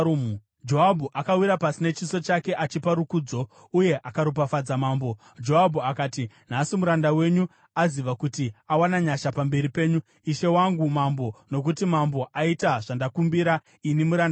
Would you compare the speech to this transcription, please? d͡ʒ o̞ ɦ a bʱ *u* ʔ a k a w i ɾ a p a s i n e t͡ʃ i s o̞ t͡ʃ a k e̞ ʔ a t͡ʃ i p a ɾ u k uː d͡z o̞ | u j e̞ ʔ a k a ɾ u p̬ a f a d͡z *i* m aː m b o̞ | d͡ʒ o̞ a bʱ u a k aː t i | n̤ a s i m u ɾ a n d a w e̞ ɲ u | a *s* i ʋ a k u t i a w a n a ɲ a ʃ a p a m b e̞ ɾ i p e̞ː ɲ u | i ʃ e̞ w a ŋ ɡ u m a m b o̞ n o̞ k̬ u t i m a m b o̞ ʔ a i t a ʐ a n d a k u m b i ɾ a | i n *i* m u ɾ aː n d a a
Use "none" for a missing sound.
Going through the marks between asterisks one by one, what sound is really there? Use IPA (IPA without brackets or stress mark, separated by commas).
u, a, z, i